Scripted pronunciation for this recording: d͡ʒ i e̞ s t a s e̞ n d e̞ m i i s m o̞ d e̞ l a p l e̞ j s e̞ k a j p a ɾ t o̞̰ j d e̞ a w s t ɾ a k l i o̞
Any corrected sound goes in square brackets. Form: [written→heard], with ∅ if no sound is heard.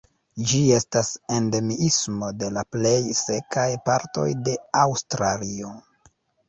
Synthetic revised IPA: d͡ʒ i e̞ s t a s e̞ n d e̞ m i i s m o̞ d e̞ l a p l e̞ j s e̞ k a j p a ɾ t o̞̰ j d e̞ a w s t ɾ a [k→∅] l i o̞